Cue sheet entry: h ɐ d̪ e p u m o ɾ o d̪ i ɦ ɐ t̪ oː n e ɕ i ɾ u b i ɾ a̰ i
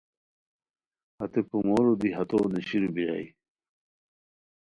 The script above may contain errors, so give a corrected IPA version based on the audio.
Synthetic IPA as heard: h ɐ t̪ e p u m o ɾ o d̪ i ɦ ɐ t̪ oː n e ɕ i ɾ u b i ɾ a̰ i